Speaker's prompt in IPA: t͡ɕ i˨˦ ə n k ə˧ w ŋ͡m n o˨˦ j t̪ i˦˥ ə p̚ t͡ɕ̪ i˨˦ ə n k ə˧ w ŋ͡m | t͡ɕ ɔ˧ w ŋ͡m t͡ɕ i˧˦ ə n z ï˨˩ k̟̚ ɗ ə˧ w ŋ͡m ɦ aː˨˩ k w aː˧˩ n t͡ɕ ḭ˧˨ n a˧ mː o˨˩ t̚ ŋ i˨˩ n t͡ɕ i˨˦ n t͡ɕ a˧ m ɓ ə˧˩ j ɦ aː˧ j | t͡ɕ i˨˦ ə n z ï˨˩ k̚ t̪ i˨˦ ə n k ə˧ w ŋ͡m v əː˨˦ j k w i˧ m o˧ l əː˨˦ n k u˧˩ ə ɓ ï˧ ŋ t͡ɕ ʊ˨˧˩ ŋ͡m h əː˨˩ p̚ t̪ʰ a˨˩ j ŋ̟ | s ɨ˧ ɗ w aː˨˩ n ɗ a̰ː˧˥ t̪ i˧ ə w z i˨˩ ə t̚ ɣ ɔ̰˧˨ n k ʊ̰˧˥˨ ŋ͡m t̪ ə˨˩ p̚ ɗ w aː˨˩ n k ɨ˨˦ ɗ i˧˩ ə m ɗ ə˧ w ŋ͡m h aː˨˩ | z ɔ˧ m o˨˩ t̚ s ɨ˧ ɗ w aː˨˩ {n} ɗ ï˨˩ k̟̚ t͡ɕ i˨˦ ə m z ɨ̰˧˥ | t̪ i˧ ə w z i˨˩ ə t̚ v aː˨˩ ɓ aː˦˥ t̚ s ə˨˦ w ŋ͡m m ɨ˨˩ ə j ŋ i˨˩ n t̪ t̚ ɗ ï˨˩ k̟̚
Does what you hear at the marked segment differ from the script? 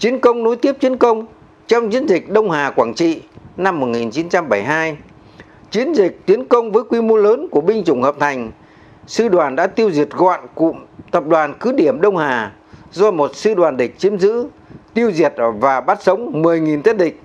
no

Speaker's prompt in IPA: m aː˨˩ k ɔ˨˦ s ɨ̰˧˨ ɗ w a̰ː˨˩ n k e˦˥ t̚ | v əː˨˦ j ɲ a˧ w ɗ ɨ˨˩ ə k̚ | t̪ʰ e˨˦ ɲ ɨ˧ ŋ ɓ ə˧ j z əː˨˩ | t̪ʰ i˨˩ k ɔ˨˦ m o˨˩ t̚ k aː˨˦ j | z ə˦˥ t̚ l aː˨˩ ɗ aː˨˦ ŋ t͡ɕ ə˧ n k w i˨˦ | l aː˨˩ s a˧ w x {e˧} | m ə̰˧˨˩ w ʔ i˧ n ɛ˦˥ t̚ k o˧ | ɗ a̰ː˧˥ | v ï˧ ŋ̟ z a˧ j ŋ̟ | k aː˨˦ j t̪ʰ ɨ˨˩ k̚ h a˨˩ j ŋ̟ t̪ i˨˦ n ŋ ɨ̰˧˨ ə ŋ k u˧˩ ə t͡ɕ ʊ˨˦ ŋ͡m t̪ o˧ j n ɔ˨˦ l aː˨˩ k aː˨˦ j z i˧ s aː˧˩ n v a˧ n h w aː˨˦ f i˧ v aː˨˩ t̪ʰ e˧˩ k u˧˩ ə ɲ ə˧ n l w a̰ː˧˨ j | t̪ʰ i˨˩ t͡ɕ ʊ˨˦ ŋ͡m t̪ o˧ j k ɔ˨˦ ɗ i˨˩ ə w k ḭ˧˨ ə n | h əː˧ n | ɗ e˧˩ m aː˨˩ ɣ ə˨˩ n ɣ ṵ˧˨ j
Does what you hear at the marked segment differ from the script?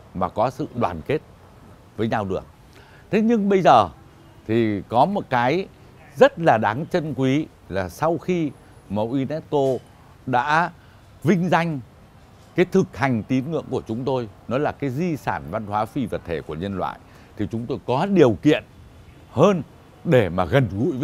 yes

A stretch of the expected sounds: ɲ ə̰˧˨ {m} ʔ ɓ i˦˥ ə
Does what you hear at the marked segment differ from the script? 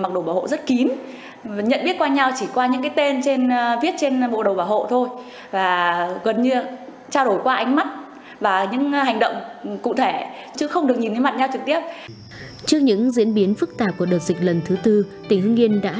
yes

